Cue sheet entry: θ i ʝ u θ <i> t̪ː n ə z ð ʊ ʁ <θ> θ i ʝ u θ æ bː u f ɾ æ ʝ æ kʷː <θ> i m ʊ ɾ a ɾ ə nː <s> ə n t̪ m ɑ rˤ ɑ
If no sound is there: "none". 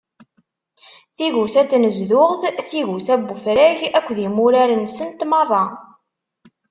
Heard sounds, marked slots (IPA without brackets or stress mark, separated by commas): æ, θ, ð, s